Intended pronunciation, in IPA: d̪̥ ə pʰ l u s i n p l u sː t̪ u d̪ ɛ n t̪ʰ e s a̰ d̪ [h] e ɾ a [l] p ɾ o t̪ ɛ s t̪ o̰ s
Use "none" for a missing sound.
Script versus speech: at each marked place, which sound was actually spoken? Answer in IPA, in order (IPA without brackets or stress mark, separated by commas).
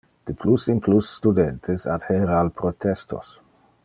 h, l